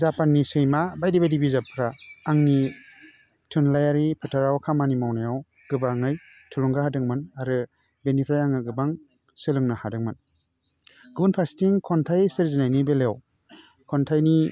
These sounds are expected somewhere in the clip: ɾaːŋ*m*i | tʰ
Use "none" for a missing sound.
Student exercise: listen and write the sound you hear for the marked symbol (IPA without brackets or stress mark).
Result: n